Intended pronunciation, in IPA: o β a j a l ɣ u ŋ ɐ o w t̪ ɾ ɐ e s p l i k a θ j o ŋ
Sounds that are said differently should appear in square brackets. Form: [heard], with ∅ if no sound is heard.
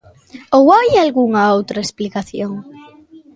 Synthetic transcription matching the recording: o [w] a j a l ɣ u ŋ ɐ o w t̪ ɾ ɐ e s p l i k a θ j o ŋ